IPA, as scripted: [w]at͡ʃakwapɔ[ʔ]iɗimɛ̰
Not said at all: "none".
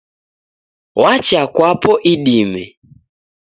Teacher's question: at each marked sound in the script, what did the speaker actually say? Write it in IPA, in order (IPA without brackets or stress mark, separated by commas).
w, ʔ